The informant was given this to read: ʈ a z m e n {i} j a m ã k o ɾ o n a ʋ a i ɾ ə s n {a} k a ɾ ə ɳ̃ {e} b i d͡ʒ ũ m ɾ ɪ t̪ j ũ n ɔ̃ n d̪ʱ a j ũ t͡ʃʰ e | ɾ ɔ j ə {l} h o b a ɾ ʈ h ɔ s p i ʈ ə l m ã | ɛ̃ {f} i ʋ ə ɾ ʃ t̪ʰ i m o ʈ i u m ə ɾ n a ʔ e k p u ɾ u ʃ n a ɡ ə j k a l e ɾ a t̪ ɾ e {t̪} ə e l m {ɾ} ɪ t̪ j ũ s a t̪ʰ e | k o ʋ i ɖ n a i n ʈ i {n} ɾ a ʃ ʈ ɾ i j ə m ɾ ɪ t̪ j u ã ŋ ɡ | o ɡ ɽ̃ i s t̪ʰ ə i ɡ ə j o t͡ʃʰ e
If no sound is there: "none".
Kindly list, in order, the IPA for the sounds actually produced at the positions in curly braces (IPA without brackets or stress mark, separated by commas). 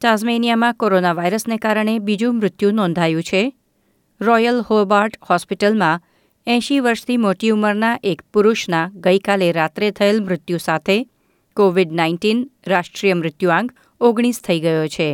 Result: i, e, e, l, ʃ, t̪ʰ, ɾ, n